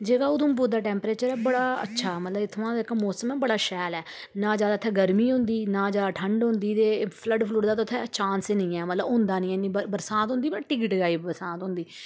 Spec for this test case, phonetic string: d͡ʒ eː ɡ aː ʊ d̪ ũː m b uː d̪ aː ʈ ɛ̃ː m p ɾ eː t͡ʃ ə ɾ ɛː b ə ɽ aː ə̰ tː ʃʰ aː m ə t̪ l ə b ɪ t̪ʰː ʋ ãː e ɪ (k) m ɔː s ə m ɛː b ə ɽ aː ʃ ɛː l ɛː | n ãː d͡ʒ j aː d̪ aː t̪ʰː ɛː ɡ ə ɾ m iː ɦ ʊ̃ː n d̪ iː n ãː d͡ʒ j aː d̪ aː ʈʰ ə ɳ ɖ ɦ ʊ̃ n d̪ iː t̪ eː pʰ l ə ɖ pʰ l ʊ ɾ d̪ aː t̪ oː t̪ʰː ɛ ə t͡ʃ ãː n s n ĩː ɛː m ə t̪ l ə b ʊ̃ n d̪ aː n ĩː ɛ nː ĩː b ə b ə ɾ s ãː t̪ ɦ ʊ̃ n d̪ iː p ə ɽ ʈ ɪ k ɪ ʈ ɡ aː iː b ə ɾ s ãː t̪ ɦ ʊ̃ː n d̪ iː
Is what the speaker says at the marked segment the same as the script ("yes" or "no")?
yes